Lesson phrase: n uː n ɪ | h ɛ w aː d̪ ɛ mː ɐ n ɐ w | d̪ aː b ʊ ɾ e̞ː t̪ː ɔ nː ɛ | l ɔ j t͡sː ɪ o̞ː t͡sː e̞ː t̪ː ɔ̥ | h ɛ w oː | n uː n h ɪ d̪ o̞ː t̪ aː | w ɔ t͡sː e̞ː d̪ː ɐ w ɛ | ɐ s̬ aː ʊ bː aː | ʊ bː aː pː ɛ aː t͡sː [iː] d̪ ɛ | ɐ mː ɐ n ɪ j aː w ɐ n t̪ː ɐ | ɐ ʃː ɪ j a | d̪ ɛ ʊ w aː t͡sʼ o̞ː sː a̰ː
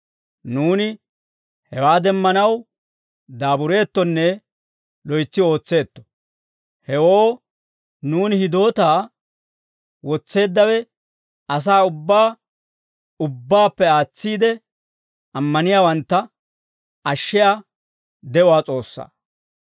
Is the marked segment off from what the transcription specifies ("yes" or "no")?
no